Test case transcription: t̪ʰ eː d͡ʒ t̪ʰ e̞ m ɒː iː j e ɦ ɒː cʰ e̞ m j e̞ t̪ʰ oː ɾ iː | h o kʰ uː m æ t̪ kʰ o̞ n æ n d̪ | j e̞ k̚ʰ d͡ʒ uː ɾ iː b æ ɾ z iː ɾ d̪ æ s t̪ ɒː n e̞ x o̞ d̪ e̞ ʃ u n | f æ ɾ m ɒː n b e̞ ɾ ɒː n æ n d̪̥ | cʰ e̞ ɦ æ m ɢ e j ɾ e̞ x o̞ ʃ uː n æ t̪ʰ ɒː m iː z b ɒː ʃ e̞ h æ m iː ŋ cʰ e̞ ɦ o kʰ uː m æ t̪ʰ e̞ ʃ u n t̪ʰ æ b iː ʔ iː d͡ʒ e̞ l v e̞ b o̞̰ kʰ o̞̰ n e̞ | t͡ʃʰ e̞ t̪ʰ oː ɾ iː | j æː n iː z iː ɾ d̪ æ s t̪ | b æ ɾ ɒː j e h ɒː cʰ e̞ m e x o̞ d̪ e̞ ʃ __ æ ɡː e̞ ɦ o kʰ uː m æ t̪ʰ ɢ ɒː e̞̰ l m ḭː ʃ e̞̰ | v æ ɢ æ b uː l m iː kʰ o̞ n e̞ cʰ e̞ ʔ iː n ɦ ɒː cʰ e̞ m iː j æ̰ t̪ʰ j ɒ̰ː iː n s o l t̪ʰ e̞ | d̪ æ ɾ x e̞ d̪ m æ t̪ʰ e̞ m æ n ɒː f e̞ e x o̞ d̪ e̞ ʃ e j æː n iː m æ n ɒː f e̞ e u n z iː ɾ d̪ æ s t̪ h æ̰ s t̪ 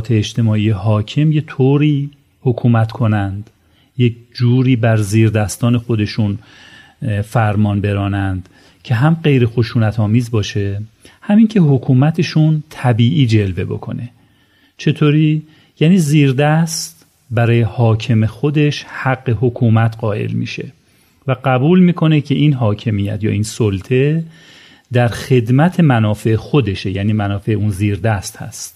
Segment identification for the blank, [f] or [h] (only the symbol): h